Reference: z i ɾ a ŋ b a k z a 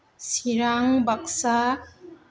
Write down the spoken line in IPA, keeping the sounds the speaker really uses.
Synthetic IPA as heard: s i ɾ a ŋ b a k s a